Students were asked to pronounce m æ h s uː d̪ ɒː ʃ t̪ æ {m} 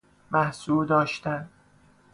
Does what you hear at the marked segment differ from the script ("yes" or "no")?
yes